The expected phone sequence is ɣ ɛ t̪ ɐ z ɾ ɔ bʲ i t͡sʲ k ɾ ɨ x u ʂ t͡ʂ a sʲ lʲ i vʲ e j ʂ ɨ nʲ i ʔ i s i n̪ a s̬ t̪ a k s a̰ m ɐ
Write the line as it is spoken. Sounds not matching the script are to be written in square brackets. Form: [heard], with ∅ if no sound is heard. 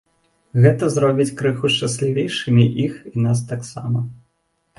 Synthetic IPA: ɣ ɛ t̪ ɐ z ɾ ɔ bʲ i t͡sʲ k ɾ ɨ x u ʂ t͡ʂ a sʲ lʲ i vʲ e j ʂ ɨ [mʲ] i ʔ i [x] i n̪ a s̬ t̪ a k s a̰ m ɐ